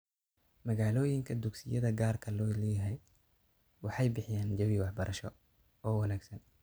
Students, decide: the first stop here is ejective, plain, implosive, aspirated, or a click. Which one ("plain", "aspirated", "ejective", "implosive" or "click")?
aspirated